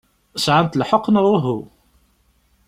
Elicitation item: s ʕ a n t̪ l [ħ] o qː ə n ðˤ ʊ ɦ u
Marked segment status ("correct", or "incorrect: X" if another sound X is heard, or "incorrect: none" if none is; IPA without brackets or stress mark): correct